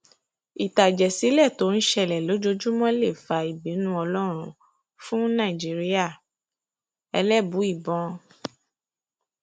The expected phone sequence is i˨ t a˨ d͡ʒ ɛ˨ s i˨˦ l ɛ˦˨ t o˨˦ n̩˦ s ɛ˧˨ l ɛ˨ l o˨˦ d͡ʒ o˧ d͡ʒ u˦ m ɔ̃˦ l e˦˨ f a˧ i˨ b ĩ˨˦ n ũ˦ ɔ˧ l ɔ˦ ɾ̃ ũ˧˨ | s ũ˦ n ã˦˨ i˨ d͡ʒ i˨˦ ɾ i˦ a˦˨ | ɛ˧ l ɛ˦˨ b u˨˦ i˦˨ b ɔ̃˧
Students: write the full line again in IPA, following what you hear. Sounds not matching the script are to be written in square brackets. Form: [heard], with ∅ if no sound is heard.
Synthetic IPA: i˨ t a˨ d͡ʒ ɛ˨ s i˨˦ l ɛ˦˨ t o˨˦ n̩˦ [ʃ] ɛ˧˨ l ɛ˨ l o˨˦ d͡ʒ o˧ d͡ʒ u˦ m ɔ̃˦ l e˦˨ f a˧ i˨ b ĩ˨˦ n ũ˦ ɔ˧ l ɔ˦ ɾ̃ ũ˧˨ | [f] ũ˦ n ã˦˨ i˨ d͡ʒ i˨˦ ɾ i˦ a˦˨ | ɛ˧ l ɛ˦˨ b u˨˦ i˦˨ b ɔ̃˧